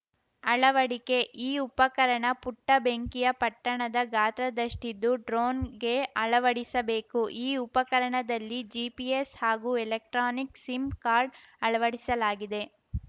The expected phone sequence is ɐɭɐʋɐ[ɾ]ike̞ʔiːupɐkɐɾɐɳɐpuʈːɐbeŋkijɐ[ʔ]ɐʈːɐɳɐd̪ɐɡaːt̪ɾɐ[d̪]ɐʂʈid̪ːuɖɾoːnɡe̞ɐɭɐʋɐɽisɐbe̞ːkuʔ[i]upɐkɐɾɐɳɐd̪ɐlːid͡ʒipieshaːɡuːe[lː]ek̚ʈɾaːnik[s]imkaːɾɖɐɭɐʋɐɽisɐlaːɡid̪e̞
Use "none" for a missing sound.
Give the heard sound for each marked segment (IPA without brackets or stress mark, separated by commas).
ɽ, p, d̪, iː, l, s